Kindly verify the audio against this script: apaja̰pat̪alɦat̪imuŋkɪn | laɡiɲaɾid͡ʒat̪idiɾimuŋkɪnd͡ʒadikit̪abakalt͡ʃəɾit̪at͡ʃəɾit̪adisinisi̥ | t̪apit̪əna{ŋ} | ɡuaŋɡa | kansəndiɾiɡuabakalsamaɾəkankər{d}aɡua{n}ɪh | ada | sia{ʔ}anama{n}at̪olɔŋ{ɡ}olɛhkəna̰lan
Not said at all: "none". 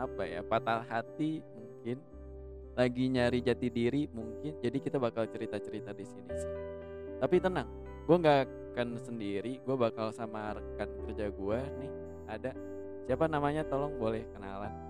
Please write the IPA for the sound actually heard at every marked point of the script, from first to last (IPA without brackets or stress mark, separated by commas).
ŋ, d͡ʒ, n, p, ɲ, b